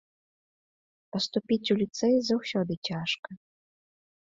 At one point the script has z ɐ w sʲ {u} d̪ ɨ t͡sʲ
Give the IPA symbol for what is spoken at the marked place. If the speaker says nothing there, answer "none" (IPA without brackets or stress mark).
ɔ